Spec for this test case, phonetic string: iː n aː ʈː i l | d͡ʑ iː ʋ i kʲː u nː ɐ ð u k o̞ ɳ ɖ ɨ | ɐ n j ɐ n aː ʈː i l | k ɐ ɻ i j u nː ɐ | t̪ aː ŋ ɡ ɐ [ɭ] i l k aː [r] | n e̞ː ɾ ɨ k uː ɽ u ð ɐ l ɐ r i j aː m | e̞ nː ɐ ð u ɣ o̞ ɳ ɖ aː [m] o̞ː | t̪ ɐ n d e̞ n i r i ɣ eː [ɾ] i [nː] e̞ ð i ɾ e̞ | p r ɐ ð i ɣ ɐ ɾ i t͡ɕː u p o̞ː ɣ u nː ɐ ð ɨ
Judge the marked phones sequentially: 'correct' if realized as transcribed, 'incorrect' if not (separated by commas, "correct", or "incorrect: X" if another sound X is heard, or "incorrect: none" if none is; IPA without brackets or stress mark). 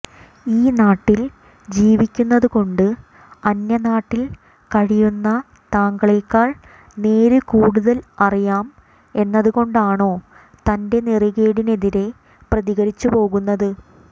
correct, incorrect: ɭ, incorrect: ɳ, incorrect: ɽ, incorrect: n